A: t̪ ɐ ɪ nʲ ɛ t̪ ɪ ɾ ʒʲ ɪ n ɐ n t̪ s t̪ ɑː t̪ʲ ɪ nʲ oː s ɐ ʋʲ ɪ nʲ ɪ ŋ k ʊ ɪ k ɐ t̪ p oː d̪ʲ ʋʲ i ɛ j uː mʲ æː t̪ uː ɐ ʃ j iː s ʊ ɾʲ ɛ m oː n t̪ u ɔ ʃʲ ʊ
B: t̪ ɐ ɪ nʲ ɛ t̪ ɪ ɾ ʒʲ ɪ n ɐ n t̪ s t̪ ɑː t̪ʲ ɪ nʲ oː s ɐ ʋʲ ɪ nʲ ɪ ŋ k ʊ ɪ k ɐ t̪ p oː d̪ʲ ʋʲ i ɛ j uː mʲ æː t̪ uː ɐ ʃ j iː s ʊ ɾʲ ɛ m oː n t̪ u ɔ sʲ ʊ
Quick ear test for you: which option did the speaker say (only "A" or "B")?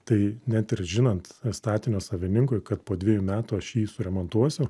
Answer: B